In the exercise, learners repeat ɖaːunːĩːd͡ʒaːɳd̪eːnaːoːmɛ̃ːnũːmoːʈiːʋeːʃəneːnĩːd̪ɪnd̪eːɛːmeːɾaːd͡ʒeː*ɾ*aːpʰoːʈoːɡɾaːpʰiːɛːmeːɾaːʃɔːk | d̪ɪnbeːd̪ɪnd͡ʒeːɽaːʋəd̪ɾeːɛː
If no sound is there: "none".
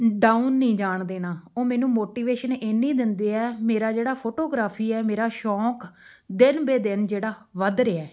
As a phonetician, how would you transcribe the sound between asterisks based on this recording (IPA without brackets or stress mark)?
ɽ